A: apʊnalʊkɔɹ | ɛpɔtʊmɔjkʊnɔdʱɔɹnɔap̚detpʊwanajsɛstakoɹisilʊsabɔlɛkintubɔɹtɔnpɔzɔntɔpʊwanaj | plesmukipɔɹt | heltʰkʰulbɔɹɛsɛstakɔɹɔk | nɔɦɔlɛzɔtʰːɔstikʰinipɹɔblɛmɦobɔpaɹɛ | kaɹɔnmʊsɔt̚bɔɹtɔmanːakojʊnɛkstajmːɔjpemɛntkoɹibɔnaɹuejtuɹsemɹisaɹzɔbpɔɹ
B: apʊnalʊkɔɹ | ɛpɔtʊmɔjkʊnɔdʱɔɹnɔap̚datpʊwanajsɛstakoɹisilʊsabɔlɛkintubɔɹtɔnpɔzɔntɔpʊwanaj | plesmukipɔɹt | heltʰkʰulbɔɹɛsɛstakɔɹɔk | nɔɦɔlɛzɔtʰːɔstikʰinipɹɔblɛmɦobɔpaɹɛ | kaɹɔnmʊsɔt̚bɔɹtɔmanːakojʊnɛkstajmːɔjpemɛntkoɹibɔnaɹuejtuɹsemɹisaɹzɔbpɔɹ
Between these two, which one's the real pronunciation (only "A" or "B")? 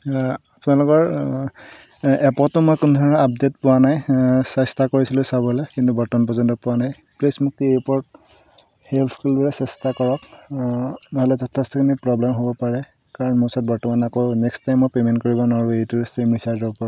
A